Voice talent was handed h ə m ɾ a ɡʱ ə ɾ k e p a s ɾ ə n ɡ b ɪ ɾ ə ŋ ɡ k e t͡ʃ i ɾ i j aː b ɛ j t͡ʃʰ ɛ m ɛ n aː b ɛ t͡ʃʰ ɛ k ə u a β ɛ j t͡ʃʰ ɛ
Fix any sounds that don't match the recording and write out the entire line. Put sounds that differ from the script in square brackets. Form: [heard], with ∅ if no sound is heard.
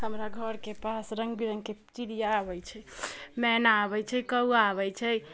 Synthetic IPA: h ə m ɾ a ɡʱ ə ɾ k e p a s ɾ ə [ŋ] ɡ b [i] ɾ ə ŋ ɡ k e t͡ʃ i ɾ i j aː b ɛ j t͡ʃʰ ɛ m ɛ n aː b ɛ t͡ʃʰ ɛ k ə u a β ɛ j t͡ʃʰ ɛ